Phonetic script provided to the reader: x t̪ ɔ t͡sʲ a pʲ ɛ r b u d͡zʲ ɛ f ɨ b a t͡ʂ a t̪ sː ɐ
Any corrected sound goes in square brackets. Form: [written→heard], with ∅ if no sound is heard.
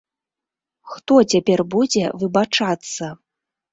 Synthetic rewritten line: x t̪ ɔ t͡sʲ a pʲ ɛ r b u d͡zʲ ɛ [f→v] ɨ b a t͡ʂ a t̪ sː ɐ